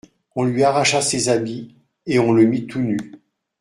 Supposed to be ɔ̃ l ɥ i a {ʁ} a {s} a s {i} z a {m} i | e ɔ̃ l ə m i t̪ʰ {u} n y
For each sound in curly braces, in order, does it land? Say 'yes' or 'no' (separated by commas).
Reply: yes, no, no, no, yes